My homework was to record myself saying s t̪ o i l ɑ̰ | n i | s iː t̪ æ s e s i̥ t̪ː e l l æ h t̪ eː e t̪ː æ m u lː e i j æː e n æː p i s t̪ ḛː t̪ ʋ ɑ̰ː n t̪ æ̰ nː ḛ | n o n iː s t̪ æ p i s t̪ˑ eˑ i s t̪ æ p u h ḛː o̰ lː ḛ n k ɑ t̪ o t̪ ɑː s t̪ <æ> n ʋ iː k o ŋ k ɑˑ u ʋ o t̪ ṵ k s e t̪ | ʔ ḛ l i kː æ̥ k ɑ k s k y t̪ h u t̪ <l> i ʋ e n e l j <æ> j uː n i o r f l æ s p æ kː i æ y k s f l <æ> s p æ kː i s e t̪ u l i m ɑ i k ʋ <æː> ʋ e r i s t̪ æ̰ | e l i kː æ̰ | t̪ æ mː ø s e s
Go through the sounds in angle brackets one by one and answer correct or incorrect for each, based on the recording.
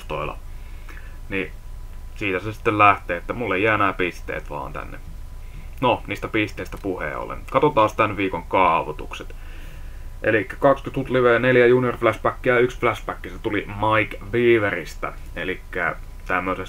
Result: correct, correct, correct, correct, incorrect: iː

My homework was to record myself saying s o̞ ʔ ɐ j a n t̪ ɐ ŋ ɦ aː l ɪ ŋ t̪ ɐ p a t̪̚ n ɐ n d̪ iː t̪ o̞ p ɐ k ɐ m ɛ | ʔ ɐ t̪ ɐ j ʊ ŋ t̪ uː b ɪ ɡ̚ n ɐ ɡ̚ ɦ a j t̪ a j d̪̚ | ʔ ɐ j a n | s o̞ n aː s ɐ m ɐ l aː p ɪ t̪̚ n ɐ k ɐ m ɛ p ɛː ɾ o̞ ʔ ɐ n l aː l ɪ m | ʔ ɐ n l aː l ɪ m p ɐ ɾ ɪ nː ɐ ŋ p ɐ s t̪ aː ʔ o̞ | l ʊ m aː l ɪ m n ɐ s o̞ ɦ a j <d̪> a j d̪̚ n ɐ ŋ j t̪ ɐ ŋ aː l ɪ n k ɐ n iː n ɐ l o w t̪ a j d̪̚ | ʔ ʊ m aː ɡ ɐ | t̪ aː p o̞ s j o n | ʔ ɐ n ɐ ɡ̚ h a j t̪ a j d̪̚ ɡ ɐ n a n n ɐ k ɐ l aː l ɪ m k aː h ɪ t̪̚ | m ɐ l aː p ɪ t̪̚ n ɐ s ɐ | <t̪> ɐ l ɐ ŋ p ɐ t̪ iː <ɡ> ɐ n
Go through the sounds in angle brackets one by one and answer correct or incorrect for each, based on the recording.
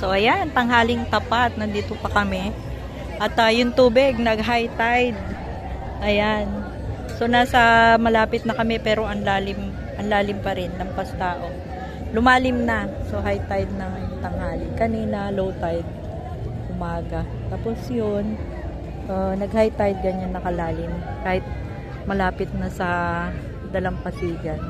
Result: incorrect: t̪, incorrect: d̪, correct

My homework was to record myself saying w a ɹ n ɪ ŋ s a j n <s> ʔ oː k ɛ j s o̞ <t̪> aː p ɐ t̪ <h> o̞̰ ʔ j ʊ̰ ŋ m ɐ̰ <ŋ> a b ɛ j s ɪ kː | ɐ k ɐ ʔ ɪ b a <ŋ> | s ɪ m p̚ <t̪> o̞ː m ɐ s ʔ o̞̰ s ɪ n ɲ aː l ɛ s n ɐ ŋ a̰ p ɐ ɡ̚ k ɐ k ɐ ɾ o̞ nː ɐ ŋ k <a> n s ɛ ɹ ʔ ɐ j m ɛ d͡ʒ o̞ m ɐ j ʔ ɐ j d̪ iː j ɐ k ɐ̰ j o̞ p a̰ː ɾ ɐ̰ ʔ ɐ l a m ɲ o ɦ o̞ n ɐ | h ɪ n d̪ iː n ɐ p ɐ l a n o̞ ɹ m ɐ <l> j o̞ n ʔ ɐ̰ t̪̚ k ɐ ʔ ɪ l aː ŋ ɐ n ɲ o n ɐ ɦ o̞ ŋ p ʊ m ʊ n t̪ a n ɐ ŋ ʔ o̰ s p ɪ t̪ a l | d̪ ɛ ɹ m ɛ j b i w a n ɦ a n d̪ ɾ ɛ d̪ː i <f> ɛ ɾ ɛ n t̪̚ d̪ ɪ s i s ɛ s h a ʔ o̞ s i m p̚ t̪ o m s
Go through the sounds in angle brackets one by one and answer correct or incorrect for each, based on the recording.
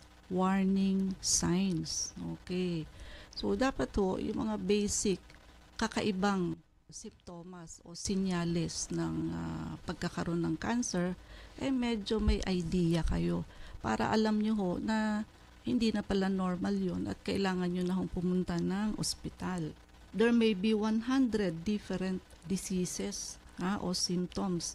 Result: correct, incorrect: d̪, correct, correct, correct, correct, correct, correct, correct

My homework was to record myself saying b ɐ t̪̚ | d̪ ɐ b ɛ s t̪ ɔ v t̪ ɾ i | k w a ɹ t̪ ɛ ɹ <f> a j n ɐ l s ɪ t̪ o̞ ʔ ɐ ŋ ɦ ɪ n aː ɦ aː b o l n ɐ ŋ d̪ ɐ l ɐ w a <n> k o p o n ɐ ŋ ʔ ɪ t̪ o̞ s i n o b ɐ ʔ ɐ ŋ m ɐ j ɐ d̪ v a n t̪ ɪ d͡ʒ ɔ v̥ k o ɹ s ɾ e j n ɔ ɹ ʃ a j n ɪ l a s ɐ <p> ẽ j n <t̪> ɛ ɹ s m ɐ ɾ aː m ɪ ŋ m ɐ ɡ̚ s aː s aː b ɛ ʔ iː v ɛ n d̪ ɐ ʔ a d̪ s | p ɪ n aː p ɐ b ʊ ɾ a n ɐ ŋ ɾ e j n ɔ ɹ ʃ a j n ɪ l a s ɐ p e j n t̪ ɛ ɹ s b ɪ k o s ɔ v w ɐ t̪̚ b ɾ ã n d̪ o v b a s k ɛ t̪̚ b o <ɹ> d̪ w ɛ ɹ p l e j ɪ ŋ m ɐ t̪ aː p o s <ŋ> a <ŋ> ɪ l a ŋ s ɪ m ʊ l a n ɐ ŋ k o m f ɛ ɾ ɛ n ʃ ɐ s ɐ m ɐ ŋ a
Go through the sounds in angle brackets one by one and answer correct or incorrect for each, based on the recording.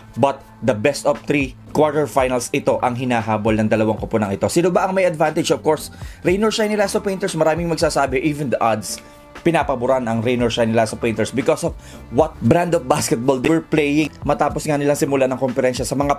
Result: correct, incorrect: ŋ, correct, correct, incorrect: l, correct, incorrect: n

